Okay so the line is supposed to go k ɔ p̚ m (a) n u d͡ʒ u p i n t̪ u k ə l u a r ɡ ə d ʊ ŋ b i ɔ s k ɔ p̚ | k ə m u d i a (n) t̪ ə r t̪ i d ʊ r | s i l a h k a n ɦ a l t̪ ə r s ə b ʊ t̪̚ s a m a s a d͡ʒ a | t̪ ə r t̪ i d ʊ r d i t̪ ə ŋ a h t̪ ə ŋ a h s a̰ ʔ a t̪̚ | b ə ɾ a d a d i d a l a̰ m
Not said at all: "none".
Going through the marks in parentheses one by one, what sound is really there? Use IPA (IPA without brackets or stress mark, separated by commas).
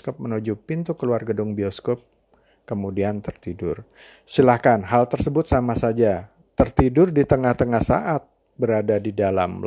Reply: ə, n